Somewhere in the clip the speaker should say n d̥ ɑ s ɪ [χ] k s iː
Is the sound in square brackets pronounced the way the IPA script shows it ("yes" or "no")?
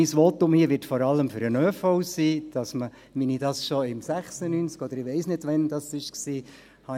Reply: no